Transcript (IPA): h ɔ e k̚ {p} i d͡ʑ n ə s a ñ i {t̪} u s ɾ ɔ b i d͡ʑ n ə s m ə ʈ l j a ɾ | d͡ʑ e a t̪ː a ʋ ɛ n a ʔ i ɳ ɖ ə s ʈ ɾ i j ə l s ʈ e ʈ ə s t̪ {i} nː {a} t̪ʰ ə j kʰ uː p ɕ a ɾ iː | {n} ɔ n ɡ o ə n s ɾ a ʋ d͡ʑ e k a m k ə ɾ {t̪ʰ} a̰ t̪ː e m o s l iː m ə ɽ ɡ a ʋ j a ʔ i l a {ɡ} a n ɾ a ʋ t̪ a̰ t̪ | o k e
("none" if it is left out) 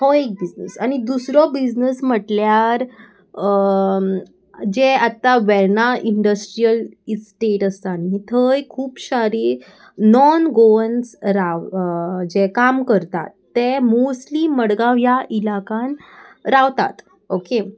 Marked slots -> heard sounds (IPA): b, d̪, a, i, n, t̪, k

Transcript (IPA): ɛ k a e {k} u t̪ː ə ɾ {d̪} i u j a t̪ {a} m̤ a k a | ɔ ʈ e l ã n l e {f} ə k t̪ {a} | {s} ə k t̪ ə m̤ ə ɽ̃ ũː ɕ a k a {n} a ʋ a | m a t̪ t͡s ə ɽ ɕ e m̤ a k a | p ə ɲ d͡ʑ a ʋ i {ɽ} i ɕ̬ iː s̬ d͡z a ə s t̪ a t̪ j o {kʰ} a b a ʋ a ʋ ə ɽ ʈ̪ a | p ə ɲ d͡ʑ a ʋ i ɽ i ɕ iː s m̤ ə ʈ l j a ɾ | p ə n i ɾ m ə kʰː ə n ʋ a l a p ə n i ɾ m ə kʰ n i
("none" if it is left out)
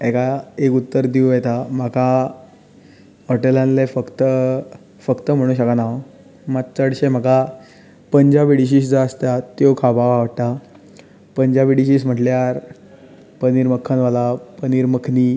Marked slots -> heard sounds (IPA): k, d̪, a, f, ə, f, n, ɽ, kʰ

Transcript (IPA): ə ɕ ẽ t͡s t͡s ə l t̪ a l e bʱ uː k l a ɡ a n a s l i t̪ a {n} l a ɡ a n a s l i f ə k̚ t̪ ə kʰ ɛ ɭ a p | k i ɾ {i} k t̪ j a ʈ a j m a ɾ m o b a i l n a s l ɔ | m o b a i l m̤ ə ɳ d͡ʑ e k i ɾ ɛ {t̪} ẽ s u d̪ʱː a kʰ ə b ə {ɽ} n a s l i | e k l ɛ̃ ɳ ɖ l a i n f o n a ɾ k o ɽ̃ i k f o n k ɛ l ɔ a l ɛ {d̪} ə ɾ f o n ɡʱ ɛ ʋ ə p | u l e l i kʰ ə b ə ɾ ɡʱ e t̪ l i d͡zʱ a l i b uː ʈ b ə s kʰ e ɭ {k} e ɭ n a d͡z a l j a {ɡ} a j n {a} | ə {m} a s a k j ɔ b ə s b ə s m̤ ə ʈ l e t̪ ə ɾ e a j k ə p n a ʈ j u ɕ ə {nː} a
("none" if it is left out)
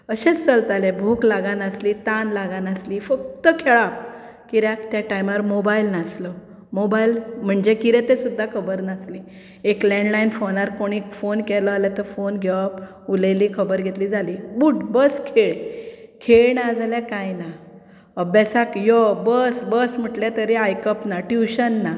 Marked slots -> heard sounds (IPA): n, a, t̪, ɾ, t̪, kʰ, k, a, b, nː

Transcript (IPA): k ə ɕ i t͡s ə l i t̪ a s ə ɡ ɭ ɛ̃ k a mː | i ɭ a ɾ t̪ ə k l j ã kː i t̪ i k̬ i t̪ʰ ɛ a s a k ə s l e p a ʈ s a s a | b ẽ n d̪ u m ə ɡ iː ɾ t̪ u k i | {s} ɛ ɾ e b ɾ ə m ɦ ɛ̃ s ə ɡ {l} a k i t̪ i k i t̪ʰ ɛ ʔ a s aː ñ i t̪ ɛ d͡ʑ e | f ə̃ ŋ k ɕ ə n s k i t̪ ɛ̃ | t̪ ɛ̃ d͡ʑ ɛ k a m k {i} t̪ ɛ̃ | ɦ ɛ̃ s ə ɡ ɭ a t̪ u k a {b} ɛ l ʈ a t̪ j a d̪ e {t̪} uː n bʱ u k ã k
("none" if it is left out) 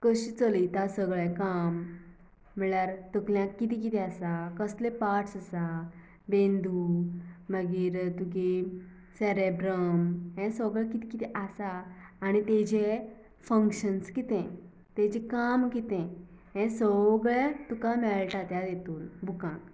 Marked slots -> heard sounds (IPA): s, ɭ, i, m, t̪

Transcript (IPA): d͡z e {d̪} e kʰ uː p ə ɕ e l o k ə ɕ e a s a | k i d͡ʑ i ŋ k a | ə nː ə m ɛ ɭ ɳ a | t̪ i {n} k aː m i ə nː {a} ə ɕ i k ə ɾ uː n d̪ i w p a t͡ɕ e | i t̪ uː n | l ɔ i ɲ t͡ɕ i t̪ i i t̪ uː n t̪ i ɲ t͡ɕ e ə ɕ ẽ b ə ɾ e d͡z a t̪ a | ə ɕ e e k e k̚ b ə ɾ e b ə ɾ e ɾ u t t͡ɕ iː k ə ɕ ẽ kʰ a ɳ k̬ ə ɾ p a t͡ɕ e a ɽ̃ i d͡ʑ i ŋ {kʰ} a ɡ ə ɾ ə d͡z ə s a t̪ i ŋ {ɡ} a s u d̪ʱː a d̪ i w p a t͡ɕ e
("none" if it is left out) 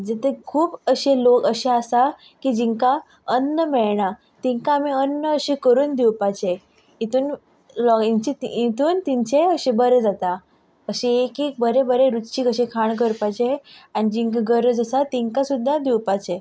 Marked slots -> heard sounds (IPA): t̪, ŋ, ə, k, k

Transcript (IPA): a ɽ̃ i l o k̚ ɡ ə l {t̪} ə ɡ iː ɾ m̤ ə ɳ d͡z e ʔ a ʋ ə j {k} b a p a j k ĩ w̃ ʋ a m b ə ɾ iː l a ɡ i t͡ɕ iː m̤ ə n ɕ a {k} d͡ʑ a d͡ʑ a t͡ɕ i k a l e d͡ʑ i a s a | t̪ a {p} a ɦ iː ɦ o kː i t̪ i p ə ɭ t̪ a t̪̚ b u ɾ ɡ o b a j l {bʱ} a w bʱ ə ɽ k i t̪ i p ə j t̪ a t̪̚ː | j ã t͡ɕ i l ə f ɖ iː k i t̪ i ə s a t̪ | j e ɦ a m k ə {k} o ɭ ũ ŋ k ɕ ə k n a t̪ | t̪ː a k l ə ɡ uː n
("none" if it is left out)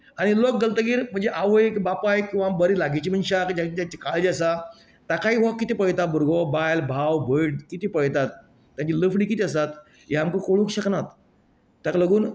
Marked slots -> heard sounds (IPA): t̪, k, k, k, bʱ, k

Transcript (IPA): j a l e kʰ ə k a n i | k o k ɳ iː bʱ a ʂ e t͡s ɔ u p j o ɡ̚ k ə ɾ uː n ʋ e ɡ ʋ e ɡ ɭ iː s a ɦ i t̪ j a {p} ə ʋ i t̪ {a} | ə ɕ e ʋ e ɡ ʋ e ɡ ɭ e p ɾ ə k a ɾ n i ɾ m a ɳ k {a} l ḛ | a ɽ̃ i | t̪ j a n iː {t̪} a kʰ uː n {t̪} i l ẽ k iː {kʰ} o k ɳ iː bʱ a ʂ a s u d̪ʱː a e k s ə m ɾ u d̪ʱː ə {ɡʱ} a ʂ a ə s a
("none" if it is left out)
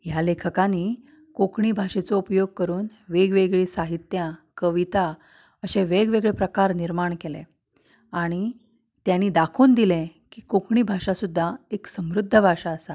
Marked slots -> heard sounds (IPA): k, a, e, d̪, d̪, k, bʱ

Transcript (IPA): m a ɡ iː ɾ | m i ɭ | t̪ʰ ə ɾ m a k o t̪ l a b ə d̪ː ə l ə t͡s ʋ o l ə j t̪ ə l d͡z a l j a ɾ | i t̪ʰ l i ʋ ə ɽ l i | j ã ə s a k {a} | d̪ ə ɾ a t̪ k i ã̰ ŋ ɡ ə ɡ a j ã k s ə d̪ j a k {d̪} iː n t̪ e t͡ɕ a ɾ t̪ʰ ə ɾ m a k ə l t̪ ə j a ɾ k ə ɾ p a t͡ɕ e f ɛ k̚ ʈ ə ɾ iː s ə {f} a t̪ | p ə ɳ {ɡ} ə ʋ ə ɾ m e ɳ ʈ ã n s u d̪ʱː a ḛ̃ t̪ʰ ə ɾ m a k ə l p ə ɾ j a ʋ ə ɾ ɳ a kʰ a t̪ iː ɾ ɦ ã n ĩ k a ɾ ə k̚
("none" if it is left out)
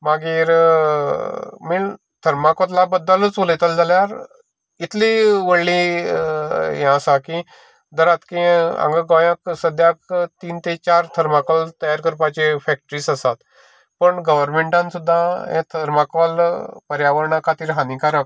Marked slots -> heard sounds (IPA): i, t̪, s, ɡ

